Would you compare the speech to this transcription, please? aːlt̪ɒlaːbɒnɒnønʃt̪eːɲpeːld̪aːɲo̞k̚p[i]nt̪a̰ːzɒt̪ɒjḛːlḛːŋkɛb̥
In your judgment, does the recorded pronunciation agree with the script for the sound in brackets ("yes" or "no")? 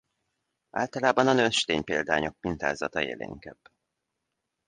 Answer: yes